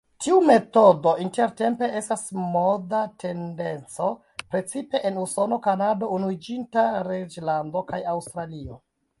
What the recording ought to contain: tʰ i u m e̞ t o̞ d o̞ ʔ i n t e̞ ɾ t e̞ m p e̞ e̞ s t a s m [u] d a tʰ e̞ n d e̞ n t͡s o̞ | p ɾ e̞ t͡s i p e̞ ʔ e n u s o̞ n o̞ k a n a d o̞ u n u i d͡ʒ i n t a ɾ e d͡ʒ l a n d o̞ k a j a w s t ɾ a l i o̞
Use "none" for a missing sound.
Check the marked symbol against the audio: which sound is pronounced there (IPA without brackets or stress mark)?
o